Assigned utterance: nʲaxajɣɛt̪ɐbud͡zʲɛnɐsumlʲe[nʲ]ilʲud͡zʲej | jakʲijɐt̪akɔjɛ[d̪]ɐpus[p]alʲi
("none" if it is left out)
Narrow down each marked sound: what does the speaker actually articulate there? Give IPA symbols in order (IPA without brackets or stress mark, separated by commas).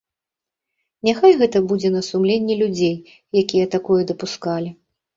nʲː, d̪, k